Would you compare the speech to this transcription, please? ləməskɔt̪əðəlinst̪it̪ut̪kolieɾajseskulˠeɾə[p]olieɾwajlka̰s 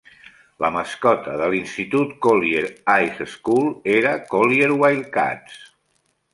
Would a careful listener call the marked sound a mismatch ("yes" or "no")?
yes